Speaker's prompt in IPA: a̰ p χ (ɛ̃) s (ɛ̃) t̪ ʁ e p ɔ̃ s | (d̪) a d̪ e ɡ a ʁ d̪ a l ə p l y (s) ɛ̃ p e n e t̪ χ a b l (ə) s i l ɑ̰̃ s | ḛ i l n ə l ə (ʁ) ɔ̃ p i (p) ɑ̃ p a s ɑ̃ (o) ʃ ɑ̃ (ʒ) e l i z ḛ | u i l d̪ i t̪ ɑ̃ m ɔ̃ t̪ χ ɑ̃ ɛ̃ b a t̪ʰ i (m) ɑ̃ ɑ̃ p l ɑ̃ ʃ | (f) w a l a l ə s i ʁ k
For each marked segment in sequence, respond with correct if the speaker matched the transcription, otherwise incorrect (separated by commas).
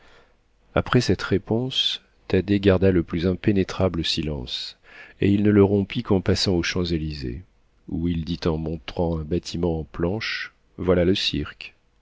incorrect, incorrect, incorrect, incorrect, correct, correct, incorrect, correct, incorrect, correct, incorrect